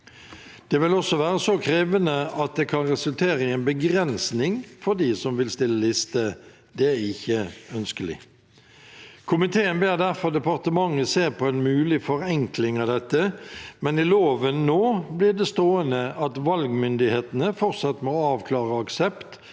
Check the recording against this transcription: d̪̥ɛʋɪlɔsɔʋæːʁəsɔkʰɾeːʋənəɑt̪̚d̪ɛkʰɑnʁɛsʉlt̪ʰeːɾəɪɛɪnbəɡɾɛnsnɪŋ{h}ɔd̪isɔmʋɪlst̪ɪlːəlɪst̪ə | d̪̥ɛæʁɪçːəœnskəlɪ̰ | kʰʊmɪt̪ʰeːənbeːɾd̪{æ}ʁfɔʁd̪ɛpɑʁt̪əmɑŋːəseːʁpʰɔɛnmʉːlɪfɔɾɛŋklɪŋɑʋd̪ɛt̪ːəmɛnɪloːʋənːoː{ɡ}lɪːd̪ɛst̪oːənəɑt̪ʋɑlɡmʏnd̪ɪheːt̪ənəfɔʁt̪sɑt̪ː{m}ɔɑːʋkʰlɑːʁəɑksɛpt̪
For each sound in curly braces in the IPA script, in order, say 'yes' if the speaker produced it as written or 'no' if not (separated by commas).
no, yes, no, yes